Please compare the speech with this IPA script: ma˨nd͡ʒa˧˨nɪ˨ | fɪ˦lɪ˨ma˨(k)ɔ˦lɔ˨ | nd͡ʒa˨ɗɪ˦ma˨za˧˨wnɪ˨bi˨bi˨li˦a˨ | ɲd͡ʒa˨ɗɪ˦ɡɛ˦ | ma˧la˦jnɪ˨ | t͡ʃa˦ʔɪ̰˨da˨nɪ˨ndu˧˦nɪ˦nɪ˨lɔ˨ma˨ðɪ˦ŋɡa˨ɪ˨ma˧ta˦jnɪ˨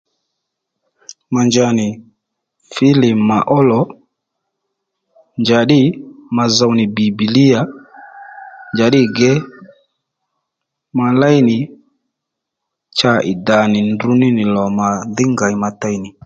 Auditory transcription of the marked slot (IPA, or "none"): ʔ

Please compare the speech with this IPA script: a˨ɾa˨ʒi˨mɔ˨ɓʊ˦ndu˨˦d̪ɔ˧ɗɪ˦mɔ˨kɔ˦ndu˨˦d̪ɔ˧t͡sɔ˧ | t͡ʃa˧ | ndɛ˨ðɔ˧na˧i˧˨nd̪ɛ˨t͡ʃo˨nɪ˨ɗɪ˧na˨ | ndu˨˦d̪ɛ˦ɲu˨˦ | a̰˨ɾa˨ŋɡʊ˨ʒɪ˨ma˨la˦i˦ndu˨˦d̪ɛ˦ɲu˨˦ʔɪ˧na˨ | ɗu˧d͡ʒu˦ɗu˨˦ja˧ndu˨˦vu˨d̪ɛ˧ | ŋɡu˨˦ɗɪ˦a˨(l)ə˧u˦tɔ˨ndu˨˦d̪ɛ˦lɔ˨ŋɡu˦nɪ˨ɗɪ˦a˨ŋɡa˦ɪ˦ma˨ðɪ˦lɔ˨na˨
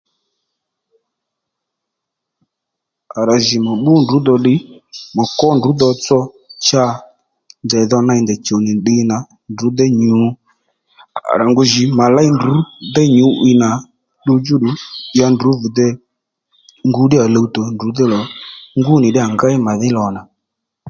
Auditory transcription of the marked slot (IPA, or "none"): l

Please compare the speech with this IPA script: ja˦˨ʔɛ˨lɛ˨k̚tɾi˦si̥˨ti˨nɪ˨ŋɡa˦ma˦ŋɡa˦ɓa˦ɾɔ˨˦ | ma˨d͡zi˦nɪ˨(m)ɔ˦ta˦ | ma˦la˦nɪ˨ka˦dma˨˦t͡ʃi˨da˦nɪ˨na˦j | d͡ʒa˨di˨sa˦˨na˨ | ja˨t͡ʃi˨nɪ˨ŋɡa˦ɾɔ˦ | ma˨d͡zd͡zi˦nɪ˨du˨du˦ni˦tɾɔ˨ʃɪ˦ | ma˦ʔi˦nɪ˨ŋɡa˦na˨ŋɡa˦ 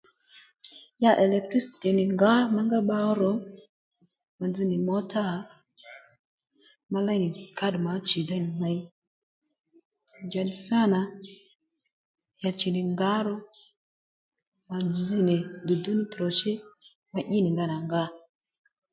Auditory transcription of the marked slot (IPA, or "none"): m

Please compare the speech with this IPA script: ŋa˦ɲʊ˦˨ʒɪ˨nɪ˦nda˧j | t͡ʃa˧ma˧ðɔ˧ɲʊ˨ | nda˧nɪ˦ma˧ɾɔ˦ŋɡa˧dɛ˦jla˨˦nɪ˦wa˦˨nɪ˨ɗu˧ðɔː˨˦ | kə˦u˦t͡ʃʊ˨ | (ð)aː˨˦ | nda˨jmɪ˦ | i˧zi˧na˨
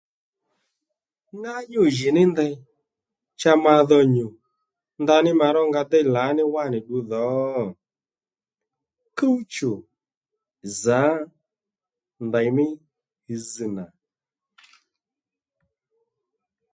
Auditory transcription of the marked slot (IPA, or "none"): z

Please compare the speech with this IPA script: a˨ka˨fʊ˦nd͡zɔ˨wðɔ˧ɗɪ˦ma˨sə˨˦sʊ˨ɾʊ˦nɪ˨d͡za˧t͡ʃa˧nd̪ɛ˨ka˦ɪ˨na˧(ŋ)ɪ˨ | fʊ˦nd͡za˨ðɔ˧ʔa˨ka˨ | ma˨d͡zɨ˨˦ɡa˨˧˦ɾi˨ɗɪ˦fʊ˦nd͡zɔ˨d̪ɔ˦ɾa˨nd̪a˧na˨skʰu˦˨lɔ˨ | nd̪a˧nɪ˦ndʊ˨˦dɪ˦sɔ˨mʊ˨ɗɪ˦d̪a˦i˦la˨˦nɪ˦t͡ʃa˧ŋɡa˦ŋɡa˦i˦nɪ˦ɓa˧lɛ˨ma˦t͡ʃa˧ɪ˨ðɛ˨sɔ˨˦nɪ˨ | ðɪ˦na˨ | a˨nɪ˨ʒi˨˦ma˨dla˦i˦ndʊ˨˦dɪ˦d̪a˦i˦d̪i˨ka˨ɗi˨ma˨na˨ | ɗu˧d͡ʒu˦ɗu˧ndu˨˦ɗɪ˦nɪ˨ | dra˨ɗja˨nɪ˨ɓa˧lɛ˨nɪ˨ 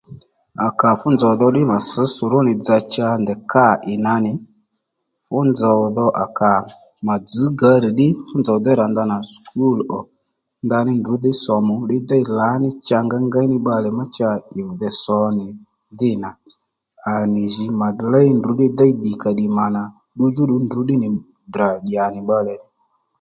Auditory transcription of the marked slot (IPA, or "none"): n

